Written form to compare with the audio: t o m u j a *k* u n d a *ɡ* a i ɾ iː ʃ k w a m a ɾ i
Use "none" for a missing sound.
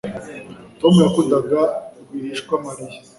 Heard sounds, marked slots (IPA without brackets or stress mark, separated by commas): k, ɡ